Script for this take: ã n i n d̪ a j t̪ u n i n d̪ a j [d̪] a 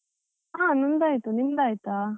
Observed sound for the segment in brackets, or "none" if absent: t̪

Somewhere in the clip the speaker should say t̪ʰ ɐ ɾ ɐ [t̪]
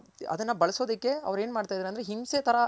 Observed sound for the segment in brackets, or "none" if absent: none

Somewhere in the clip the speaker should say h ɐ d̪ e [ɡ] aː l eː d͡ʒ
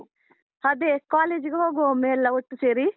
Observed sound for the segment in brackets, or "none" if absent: k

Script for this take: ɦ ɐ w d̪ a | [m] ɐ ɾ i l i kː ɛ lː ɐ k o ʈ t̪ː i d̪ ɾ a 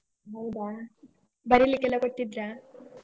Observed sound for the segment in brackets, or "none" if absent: b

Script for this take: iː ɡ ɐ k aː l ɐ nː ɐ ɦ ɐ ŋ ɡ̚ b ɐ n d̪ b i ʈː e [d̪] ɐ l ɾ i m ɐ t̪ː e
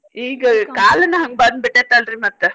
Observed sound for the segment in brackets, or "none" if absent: t̪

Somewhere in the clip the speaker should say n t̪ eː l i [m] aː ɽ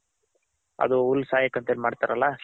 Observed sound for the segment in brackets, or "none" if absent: m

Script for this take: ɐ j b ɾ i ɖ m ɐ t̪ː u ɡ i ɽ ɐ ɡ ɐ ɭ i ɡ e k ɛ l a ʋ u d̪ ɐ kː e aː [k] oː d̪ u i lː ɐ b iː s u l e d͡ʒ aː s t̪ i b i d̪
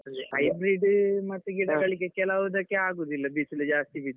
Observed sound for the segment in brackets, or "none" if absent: ɡ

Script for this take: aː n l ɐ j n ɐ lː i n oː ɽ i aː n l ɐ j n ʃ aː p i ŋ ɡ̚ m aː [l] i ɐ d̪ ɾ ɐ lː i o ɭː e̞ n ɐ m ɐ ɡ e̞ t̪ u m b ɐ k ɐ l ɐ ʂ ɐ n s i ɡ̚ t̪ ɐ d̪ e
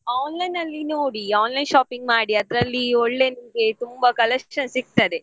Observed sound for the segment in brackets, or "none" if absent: ɽ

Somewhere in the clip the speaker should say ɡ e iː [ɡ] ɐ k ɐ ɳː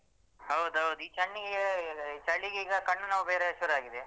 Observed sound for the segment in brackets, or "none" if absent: ɡ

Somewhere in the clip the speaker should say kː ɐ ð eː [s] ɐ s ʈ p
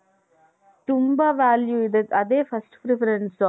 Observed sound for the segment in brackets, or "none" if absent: f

